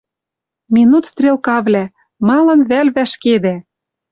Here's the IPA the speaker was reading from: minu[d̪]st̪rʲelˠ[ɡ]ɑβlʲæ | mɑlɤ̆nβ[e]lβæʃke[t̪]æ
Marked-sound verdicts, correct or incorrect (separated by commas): incorrect, incorrect, incorrect, incorrect